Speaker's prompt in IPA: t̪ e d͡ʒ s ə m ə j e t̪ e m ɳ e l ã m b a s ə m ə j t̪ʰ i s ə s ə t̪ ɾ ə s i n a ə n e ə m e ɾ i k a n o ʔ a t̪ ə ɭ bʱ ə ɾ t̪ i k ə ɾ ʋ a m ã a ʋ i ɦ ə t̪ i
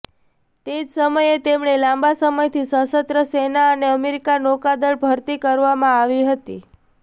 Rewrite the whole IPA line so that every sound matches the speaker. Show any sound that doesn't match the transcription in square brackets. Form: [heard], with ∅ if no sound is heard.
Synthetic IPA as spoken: t̪ e d͡ʒ s ə m ə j e t̪ e m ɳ e l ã m b a s ə m ə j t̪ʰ i s ə s ə t̪ ɾ ə s [e] n a ə n e ə m e ɾ i k a n o [k] a [d̪] ə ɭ bʱ ə ɾ t̪ i k ə ɾ ʋ a m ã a ʋ i ɦ ə t̪ i